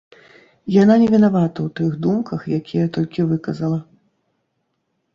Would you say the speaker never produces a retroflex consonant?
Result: yes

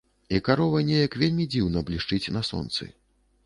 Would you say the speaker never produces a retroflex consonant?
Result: no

